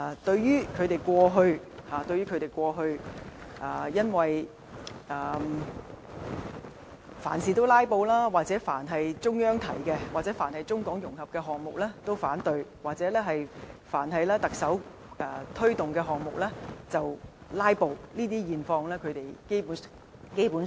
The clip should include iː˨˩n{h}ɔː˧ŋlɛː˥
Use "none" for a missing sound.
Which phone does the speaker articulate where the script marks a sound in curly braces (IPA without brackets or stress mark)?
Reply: f